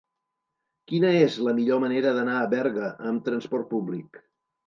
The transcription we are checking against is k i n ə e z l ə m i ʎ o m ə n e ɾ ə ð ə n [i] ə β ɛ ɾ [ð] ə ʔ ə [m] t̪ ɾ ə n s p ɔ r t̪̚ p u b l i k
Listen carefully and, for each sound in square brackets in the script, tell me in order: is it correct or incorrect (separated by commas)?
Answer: incorrect, incorrect, correct